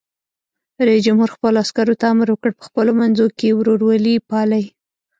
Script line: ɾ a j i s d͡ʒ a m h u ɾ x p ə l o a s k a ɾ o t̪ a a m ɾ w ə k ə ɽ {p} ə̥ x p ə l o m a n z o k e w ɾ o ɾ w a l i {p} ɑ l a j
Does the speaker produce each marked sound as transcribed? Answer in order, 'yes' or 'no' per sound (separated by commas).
yes, yes